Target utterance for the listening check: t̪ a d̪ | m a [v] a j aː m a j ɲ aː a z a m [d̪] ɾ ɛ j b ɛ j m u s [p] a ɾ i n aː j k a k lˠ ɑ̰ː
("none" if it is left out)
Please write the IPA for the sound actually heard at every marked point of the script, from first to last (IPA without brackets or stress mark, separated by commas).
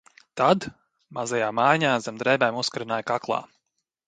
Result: z, d̪, k